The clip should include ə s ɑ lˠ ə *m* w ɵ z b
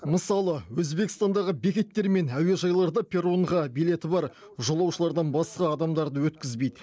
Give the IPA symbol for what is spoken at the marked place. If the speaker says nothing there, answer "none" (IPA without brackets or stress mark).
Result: none